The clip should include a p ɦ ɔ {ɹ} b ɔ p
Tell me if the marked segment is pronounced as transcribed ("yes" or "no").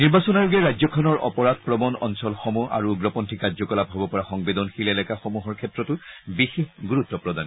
no